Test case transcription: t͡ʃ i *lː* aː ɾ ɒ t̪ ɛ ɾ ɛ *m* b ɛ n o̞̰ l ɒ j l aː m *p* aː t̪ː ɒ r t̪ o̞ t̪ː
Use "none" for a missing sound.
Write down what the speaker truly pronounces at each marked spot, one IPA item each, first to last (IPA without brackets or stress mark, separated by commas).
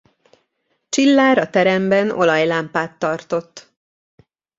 lː, m, p